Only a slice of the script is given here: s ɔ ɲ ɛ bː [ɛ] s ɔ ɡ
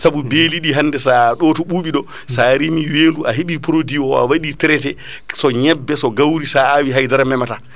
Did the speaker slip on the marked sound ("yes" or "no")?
no